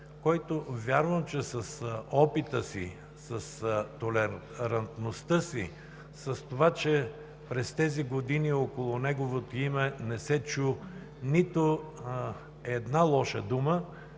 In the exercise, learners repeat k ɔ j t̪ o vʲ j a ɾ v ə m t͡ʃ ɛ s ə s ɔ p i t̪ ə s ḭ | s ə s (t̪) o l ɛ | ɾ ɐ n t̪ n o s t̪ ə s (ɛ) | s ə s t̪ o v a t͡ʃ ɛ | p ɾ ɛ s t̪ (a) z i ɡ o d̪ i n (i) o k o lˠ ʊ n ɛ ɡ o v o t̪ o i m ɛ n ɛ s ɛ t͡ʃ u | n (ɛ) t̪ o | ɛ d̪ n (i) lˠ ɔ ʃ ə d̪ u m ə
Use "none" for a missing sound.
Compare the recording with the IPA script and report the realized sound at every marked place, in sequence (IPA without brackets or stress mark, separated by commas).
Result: t̪, i, ɛ, i, i, a